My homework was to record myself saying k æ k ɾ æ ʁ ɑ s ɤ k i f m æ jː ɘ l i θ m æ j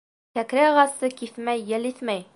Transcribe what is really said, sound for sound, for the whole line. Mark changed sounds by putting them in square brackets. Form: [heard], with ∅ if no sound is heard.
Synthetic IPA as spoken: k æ k ɾ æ ʁ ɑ s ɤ k i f m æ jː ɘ l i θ m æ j